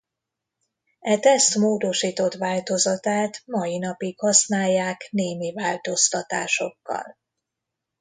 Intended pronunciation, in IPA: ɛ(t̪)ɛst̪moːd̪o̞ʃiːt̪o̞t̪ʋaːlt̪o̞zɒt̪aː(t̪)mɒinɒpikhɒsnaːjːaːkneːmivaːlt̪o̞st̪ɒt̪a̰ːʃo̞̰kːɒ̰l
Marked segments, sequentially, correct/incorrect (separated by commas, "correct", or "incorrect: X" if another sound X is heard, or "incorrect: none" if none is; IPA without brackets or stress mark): correct, correct